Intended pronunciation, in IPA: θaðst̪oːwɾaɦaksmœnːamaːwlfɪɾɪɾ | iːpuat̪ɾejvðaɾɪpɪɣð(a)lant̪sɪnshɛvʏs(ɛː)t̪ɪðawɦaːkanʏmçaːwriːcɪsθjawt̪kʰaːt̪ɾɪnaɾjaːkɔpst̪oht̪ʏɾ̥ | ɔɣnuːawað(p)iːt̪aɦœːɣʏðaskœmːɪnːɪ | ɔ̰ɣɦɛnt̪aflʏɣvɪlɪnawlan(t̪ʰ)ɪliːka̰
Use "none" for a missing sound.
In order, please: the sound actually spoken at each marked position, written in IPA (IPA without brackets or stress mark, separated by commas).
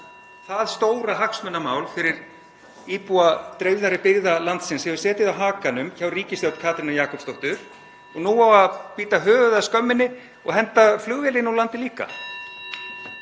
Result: a, ɛː, p, t̪